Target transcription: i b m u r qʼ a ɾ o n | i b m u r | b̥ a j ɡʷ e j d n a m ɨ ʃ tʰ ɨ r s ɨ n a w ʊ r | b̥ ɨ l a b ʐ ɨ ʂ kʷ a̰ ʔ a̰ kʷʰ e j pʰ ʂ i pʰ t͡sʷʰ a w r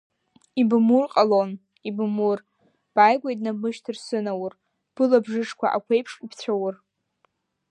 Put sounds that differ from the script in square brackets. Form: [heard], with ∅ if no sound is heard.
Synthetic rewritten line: i b m u r qʼ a [l] o n | i b m u r | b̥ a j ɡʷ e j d n a m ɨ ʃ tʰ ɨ r s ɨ n a w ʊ r | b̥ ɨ l a b ʐ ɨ ʂ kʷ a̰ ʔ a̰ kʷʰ e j pʰ ʂ i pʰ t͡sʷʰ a w r